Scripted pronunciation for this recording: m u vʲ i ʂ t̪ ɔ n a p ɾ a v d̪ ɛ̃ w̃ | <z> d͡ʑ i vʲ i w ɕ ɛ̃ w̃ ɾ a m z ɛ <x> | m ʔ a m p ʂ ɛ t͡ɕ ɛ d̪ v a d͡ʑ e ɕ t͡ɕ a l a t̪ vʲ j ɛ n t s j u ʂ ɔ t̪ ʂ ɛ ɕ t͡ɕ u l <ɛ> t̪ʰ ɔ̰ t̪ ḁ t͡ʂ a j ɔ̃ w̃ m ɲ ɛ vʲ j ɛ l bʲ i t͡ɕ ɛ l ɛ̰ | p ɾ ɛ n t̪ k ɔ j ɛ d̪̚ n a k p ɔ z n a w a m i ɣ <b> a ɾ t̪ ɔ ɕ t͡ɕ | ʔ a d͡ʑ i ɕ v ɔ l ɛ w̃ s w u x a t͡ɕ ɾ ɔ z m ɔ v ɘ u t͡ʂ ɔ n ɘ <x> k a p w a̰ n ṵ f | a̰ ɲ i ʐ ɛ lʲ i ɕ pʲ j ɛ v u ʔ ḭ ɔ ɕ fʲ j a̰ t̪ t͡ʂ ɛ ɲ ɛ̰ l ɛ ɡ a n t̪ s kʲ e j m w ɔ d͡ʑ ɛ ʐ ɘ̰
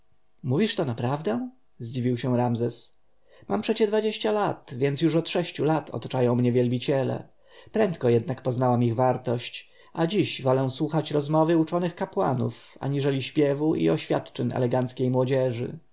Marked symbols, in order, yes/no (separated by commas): yes, no, no, no, yes